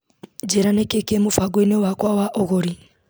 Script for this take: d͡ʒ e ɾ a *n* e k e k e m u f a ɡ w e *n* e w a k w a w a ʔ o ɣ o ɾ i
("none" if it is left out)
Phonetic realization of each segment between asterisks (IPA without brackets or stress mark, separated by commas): n, n